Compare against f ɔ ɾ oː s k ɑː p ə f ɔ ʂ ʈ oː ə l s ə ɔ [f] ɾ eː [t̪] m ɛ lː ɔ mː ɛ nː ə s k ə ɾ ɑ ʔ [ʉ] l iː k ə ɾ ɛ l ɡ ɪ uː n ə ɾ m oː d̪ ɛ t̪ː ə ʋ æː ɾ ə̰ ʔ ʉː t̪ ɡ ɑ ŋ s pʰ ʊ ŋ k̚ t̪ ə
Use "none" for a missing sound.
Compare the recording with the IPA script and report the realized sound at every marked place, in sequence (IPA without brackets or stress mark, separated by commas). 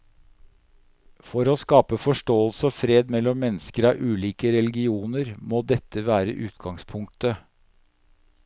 f, d̪, ʉː